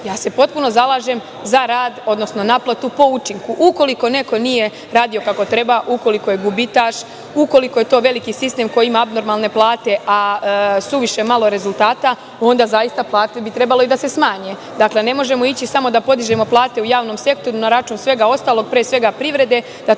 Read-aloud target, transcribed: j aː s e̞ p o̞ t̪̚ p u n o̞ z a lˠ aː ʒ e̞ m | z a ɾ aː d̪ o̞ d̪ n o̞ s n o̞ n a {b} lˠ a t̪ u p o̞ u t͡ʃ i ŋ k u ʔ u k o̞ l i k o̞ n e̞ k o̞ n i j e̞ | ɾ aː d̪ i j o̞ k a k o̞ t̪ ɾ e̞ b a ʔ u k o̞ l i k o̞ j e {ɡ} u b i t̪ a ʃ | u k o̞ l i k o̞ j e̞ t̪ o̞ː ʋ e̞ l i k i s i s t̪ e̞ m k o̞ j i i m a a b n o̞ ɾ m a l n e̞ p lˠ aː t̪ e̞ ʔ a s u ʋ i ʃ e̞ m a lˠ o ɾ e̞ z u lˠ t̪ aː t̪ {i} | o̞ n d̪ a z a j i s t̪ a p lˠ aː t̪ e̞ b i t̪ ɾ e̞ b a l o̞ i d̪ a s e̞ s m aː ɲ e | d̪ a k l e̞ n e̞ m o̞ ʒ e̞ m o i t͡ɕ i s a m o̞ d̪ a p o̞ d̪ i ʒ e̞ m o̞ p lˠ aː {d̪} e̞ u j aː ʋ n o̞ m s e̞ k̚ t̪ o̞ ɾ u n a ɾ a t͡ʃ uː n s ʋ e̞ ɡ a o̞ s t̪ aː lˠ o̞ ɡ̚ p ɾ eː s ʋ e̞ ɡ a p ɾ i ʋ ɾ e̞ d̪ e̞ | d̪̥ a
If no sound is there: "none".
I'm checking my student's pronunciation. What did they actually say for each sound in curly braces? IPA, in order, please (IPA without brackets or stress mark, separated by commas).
p, ɡ, a, t̪